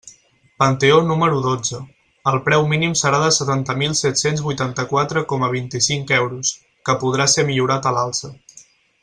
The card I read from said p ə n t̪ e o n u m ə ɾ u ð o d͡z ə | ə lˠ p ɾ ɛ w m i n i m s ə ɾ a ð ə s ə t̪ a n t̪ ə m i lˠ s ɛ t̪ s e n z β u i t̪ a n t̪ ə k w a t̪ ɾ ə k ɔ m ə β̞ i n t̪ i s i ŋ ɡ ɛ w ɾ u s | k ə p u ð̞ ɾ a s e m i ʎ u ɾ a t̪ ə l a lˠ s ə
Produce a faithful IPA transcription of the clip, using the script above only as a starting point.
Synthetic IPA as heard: p ə n t̪ e o n u m ə ɾ u ð o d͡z ə | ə lˠ p ɾ ɛ w m i n i m s ə ɾ a ð ə s ə t̪ a n t̪ ə m i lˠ s ɛ t̪ s e n z β u j t̪ a n t̪ ə k w a t̪ ɾ ə k ɔ m ə β̞ i n t̪ i s i ŋ k ɛ w ɾ u s | k ə p u ð̞ ɾ a s e m i ʎ u ɾ a t̪ ə l a lˠ s ə